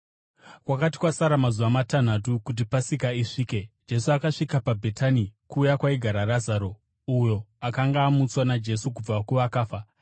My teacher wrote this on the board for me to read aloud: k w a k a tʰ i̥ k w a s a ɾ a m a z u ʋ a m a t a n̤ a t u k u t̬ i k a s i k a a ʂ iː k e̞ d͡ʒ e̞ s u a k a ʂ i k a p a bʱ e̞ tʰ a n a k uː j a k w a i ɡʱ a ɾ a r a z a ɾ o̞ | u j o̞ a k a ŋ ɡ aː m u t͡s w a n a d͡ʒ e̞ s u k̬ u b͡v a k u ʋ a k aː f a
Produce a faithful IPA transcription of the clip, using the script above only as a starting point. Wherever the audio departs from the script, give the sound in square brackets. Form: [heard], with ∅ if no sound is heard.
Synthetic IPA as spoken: k w a k a [t] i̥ k w a s a ɾ a m a z u ʋ a m a t a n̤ a t u k u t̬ i [p] a s i k a [i] ʂ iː k e̞ d͡ʒ e̞ s u a k a ʂ i k a p a bʱ e̞ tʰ a n [i] k uː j a k w a i ɡʱ a ɾ a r a z a ɾ o̞ | u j o̞ a k a ŋ ɡ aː m u t͡s w a n a d͡ʒ e̞ s u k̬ u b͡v a k u ʋ a k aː f a